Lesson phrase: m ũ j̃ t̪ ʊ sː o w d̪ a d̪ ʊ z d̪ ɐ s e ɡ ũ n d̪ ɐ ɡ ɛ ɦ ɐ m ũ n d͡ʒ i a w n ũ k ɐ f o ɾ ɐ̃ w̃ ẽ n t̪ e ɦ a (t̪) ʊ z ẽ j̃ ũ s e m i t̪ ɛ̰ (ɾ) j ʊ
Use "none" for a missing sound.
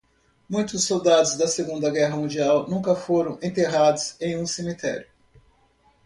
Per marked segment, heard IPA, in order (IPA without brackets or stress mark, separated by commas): d̪, ɾ